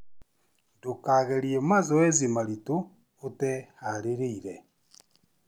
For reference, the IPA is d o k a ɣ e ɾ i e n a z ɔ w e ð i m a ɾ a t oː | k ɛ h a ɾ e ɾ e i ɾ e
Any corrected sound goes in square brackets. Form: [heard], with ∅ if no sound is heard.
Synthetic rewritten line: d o k a ɣ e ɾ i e [m] a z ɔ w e [z] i m a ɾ [i] t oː | [t] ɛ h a ɾ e ɾ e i ɾ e